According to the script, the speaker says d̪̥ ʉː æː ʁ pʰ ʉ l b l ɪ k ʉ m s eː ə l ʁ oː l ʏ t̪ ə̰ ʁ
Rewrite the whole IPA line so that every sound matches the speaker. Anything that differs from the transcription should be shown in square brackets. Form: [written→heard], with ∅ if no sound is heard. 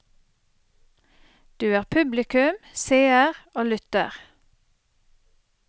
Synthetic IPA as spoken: d̪̥ ʉː æː ʁ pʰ ʉ [l→∅] b l ɪ k ʉ m s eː ə [l→∅] ʁ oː l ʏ t̪ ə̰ ʁ